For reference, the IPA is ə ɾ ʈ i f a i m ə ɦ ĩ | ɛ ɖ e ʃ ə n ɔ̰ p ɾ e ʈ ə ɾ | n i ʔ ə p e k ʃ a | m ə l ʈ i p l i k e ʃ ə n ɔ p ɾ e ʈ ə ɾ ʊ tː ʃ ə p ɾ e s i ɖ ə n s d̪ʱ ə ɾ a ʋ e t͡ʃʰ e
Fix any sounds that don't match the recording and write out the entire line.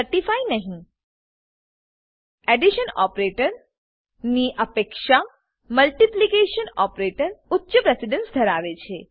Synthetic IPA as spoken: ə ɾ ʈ i f a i n ə ɦ ĩ | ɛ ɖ i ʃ ə n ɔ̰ p ɾ e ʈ ə ɾ | n i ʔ ə p e k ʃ a | m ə l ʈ i p l i k e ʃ ə n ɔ p ɾ e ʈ ə ɾ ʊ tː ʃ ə p ɾ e s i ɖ ə n s d̪ʱ ə ɾ a ʋ e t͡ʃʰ e